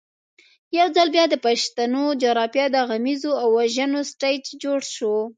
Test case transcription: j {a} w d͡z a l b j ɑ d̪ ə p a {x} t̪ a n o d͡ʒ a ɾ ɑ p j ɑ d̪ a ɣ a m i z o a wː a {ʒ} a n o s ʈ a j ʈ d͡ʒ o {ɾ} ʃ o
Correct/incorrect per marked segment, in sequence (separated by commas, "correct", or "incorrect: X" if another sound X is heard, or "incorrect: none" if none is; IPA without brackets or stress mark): correct, incorrect: ʃ, correct, incorrect: ɽ